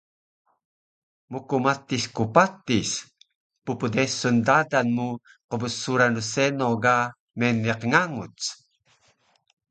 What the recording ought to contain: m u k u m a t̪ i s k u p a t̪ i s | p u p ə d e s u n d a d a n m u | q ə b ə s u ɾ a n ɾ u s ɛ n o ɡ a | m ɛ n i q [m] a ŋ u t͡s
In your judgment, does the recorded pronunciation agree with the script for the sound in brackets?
no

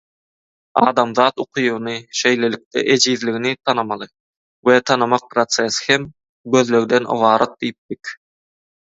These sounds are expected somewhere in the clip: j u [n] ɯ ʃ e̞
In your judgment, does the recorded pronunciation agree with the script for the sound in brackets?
yes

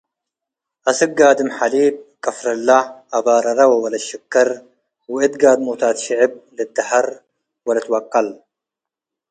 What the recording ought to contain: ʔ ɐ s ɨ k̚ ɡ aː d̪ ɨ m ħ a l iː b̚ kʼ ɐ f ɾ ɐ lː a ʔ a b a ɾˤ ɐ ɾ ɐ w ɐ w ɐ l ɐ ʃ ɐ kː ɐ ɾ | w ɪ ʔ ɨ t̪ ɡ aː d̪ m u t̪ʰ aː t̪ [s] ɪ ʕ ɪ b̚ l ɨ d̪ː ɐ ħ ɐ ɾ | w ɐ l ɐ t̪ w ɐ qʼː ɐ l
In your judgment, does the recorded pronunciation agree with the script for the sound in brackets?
no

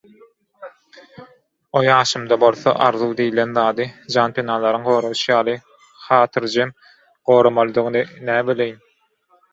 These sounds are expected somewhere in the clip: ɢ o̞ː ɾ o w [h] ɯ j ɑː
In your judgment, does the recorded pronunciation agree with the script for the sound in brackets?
no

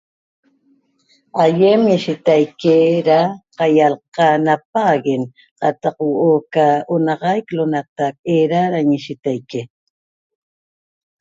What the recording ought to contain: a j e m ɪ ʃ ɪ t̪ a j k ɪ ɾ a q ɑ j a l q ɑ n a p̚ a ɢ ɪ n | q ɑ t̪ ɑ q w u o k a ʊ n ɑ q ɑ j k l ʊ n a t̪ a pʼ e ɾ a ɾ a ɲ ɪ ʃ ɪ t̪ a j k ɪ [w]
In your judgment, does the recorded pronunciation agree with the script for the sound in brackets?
no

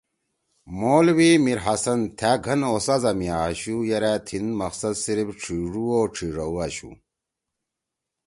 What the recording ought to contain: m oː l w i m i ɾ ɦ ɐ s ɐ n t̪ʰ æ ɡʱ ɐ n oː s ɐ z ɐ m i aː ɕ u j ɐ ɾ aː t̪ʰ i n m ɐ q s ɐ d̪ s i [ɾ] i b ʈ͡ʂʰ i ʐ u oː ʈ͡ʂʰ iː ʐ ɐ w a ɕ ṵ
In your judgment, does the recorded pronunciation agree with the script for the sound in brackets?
yes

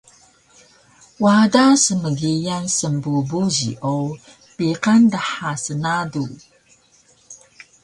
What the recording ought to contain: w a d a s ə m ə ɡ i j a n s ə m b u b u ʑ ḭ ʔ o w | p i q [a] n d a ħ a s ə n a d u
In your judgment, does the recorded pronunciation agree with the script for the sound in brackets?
yes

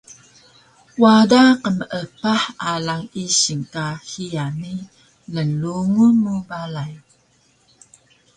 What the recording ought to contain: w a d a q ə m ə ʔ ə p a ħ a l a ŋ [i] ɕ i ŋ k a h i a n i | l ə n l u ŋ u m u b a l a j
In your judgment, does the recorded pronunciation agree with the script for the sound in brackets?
yes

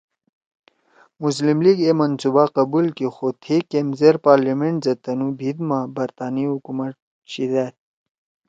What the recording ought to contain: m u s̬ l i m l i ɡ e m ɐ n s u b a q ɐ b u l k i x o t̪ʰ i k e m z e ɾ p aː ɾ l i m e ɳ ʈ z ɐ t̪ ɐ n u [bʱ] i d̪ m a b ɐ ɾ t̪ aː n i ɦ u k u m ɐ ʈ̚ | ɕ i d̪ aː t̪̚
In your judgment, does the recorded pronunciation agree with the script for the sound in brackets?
yes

